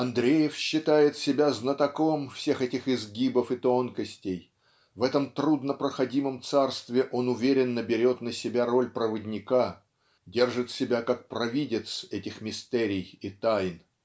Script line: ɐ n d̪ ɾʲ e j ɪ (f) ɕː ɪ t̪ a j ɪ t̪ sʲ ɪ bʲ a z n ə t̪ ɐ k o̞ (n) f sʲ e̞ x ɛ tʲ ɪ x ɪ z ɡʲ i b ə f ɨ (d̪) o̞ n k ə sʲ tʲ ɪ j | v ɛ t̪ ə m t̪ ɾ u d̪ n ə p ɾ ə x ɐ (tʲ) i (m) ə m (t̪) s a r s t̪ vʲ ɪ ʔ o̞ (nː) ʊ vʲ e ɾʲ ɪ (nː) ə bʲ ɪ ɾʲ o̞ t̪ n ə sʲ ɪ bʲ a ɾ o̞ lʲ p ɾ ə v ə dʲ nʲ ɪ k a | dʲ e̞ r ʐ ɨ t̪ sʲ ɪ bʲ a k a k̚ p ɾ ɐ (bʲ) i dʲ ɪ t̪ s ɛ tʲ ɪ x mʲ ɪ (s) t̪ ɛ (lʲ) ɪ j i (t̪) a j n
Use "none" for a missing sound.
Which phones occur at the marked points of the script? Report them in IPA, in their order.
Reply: f, m, t̪, dʲ, m, t̪, n, nː, vʲ, s, ɾʲ, t̪

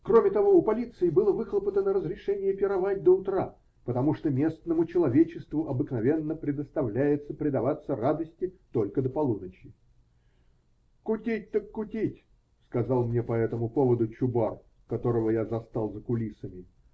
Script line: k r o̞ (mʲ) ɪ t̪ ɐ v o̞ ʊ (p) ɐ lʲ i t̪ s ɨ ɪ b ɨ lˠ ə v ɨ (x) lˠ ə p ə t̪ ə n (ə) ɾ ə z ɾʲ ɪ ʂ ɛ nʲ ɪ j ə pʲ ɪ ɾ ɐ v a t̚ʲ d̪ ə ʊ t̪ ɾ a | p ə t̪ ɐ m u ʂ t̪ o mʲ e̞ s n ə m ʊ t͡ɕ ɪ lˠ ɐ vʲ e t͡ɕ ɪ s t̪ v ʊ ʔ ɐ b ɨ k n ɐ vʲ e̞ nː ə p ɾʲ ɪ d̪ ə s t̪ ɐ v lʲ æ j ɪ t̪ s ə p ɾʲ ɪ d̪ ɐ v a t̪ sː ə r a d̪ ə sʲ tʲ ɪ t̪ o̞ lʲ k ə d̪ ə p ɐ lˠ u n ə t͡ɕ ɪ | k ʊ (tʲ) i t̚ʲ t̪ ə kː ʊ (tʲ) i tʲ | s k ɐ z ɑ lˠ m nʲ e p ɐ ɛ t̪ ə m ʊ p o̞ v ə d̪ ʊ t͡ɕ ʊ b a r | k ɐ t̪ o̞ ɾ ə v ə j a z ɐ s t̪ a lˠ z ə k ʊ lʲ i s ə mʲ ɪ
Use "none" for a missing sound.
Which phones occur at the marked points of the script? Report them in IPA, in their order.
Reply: mʲ, p, x, ə, tʲ, tʲ

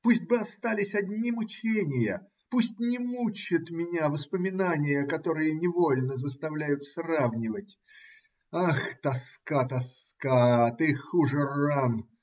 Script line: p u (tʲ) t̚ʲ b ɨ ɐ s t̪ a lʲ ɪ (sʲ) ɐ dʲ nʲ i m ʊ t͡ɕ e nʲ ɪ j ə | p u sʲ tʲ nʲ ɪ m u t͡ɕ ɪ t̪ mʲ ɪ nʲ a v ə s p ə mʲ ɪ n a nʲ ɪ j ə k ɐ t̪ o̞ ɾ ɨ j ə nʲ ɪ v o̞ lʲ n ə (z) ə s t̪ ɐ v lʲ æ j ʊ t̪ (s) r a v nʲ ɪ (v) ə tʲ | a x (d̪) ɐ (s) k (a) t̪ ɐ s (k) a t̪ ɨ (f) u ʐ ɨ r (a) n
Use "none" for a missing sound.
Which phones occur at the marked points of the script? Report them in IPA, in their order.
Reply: sʲ, sʲ, z, s, v, t̪, s, a, k, x, a

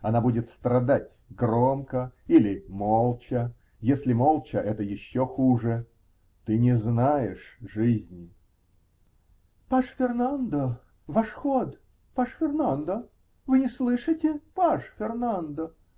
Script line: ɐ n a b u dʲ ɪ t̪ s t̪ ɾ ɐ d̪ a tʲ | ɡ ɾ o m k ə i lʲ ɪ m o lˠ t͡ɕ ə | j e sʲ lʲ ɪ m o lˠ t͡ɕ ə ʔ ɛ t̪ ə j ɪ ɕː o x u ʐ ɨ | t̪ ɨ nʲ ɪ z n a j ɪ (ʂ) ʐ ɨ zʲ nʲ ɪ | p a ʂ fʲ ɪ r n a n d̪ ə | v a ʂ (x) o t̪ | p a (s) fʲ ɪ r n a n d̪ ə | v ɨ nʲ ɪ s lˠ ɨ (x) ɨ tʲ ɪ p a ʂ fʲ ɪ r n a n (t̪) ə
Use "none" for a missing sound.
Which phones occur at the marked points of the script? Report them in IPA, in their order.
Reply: ʂ, x, ʂ, ʂ, d̪

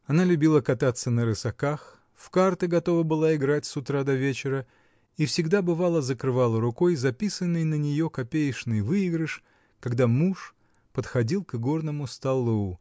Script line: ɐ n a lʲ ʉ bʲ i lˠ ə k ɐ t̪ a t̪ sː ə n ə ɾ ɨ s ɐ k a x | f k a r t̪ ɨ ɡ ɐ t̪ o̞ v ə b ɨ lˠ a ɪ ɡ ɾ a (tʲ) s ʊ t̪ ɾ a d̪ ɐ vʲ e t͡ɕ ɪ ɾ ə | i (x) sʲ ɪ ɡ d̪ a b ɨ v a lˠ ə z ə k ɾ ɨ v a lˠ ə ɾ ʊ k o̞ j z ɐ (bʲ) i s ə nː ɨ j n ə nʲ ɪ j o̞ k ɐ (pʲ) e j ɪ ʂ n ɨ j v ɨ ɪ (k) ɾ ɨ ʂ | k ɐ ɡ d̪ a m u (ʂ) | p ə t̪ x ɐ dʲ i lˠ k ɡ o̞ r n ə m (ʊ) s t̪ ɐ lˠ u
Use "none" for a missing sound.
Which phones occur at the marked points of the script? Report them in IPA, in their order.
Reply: tʲ, f, pʲ, pʲ, ɡ, ʂ, ʊ

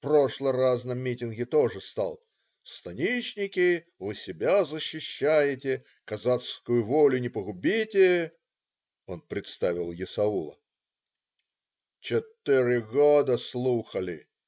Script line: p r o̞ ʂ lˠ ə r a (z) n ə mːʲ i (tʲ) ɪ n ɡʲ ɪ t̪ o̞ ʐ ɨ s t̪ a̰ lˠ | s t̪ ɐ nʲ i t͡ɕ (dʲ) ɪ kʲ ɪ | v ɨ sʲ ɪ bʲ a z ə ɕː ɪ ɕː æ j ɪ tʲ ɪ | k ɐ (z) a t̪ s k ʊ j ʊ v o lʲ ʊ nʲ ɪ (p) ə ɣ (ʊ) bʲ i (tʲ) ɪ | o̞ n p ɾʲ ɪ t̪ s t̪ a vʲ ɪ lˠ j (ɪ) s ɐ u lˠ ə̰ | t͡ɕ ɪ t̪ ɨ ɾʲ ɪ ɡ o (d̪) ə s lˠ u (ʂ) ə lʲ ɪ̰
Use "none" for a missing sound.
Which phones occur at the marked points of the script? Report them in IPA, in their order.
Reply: z, tʲ, nʲ, z, p, ʊ, tʲ, ɪ, d̪, x

